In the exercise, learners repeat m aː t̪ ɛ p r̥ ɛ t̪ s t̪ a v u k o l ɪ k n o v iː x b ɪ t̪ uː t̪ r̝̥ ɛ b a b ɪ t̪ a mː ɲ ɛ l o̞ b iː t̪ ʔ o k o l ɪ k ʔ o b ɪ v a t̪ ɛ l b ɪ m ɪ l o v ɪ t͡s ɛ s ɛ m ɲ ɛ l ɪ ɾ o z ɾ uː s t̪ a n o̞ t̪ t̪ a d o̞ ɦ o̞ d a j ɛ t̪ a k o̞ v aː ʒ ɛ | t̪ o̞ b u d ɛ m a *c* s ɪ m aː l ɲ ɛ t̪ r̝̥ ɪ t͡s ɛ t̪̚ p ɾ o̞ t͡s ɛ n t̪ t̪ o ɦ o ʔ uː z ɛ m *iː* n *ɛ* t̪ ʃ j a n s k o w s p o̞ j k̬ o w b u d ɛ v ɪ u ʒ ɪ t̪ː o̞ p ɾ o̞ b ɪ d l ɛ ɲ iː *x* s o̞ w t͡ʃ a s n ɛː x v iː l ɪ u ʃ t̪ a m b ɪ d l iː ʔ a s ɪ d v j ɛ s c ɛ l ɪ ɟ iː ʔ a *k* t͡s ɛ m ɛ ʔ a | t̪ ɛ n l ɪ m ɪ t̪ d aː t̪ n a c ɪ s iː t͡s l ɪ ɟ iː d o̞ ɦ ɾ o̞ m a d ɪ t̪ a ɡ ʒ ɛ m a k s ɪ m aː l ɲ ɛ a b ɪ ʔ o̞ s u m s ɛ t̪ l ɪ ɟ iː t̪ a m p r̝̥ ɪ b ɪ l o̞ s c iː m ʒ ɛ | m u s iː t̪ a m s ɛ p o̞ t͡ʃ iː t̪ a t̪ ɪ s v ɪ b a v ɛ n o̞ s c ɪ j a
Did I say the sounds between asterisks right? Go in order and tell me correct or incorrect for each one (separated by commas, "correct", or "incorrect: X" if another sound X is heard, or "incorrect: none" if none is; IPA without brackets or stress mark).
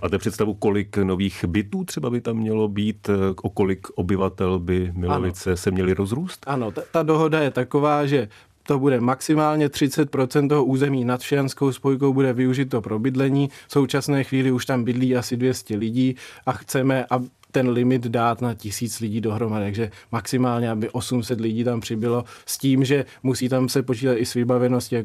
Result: incorrect: k, correct, incorrect: a, incorrect: f, incorrect: x